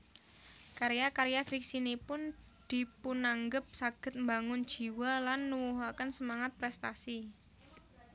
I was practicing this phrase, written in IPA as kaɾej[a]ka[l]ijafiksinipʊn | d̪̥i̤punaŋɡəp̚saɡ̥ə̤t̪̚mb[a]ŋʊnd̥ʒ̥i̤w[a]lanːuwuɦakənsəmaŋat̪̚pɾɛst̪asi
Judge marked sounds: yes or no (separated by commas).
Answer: yes, no, yes, yes